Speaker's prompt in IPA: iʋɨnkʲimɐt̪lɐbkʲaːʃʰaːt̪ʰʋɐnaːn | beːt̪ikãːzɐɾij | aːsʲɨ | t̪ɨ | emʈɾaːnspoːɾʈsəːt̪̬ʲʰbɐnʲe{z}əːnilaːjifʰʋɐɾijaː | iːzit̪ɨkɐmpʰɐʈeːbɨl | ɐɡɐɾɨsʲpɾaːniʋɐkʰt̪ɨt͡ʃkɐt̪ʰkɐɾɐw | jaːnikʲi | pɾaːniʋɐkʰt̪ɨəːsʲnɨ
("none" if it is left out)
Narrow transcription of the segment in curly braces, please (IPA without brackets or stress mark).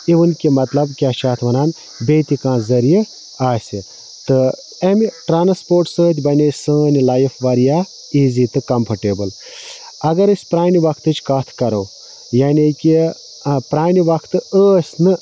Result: s